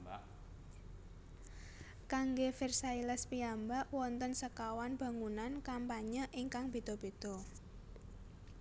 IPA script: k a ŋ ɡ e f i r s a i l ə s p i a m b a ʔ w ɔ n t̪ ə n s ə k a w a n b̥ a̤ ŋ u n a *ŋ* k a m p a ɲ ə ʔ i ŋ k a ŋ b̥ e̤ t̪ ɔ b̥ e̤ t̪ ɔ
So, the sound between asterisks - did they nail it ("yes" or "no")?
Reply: no